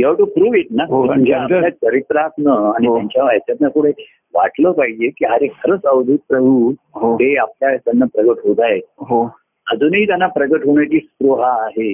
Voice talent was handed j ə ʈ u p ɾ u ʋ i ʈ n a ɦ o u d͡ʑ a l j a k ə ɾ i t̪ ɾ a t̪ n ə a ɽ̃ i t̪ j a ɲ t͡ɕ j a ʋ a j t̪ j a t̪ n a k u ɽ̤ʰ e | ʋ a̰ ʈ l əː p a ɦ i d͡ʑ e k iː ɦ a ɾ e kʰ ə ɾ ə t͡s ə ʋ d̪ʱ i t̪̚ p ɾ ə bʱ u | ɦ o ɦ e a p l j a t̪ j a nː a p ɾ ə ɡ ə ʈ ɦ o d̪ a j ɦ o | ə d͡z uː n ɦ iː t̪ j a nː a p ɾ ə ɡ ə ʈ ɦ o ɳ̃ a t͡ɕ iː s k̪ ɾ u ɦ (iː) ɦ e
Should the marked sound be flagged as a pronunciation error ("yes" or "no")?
yes